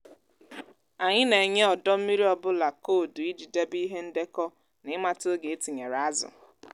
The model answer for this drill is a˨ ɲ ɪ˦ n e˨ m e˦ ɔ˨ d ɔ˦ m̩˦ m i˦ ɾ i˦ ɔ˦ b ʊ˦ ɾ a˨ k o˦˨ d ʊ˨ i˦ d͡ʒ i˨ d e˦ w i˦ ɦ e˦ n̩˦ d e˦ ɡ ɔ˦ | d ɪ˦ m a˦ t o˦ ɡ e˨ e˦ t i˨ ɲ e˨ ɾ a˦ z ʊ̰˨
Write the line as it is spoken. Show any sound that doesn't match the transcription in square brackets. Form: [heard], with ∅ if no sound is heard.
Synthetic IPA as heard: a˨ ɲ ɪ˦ n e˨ [ɲ] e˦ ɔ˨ d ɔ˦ m̩˦ m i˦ ɾ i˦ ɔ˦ b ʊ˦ [l] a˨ k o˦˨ d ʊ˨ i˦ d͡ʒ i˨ d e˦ [b] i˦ ɦ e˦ n̩˦ d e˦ [k] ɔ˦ | [n] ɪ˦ m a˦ t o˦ ɡ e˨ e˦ t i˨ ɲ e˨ ɾ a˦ z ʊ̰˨